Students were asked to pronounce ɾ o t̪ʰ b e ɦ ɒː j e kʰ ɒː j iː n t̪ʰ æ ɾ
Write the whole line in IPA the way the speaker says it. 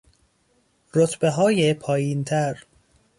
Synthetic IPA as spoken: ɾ o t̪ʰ b e ɦ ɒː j e pʰ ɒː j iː n t̪ʰ æ ɾ